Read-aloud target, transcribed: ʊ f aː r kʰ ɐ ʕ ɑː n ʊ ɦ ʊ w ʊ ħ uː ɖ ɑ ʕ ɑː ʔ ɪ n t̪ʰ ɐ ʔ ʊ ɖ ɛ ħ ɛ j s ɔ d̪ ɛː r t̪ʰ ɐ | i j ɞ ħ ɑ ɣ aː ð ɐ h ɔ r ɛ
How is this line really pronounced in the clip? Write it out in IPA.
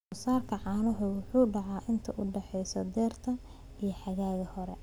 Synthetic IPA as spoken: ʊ s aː r kʰ ɐ ʕ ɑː n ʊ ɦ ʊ w ʊ ħ uː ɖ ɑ ʕ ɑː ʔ ɪ n t̪ʰ ɐ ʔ ʊ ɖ ɛ ħ ɛ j s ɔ d̪ ɛː r t̪ʰ ɐ | i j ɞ ħ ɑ ɣ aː ɣ ɐ h ɔ ɾ ɛ